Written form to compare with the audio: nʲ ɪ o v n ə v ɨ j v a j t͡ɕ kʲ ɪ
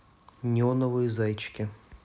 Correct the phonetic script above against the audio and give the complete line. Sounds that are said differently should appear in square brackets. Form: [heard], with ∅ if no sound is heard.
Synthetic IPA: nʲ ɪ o [∅] n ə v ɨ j [z] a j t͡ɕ kʲ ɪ

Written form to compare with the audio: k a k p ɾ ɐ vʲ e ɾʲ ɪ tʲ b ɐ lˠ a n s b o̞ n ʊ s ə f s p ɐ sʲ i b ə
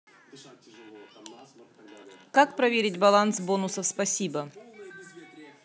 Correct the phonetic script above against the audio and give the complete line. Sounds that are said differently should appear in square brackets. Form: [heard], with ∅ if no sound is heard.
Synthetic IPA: k a k p ɾ ɐ vʲ e ɾʲ ɪ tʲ b ɐ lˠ a n s b o̞ n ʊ s ə f s p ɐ sʲ i b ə

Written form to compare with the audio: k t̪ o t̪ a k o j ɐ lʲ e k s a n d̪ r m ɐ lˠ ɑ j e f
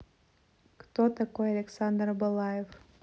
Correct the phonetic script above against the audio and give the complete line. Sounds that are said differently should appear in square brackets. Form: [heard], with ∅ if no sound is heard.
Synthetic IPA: k t̪ o t̪ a k o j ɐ lʲ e k s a n d̪ r [b] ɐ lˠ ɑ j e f

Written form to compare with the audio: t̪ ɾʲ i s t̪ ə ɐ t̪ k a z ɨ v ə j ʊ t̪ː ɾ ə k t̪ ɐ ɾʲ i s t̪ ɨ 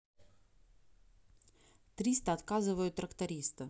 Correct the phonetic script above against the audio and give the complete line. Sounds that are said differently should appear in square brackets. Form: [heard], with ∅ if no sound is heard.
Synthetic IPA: t̪ ɾʲ i s t̪ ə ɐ t̪ k a z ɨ v ə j ʊ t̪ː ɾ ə k t̪ ɐ ɾʲ i s t̪ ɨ

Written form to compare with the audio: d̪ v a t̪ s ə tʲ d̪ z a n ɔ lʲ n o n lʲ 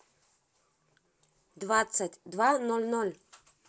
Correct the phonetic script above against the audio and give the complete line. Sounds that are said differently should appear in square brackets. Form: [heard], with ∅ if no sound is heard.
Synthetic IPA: d̪ v a t̪ s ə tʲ d̪ [v] a n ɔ lʲ n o [∅] lʲ

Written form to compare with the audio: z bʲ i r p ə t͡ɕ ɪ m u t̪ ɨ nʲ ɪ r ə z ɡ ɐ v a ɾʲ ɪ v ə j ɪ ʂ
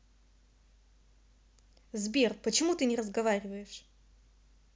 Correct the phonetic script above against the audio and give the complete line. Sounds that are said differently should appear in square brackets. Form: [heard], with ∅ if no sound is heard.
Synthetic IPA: z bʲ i r p ə t͡ɕ ɪ m u t̪ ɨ nʲ ɪ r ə z ɡ ɐ v a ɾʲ ɪ v ə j ɪ ʂ

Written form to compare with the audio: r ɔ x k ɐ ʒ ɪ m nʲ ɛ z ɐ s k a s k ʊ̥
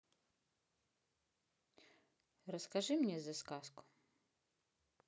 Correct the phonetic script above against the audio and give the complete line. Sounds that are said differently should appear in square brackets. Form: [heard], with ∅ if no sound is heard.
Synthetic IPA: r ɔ [s] k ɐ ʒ ɪ m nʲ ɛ z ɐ s k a s k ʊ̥

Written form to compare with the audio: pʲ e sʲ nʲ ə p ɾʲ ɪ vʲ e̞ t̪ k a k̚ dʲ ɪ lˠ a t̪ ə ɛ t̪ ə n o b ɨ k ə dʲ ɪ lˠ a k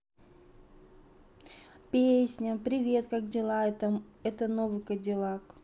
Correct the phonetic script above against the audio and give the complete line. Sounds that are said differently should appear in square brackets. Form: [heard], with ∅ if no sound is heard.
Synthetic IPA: pʲ e sʲ nʲ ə p ɾʲ ɪ vʲ e̞ t̪ k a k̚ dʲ ɪ lˠ a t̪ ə ɛ t̪ ə n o [v] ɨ k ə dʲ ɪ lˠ a k

